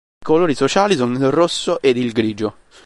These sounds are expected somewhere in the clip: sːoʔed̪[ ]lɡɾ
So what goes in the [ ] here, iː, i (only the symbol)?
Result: i